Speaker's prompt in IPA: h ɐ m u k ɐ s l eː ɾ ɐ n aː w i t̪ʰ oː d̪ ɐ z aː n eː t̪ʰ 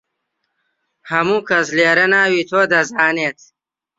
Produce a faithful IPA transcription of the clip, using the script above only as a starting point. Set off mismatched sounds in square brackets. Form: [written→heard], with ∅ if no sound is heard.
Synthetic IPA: h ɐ m u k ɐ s l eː ɾ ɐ n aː w i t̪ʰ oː d̪ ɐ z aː n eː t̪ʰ